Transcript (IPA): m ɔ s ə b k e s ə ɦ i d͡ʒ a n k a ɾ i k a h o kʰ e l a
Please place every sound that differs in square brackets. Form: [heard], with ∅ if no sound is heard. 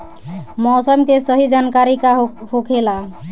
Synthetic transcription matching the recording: m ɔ s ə [m] k e s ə ɦ i d͡ʒ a n k a ɾ i k a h o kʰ e l a